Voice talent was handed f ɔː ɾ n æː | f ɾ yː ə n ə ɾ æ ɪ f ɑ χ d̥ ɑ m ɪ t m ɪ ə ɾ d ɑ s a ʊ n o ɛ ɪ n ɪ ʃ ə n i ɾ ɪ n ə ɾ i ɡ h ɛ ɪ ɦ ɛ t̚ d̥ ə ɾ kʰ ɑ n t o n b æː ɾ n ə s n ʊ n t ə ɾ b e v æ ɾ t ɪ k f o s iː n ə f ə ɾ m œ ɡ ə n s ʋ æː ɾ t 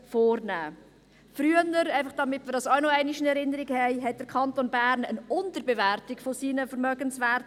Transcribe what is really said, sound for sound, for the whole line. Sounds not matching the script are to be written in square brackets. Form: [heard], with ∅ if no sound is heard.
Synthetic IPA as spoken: f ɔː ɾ n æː | f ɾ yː ə n ə ɾ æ ɪ f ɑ χ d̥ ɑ m ɪ t m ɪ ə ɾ d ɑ s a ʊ n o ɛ ɪ n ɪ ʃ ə n [ɛ] ɾ ɪ n ə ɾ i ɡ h ɛ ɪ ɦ ɛ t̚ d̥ ə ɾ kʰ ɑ n t o n b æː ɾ n ə [∅] n ʊ n t ə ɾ b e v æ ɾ t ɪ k f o s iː n ə f ə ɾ m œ ɡ ə n s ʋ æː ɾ t